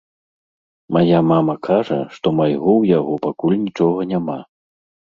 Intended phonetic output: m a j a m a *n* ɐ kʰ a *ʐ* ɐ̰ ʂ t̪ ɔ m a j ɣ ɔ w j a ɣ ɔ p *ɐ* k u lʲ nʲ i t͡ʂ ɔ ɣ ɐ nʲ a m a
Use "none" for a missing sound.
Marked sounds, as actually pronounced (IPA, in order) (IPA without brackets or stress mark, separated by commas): m, ʐ, a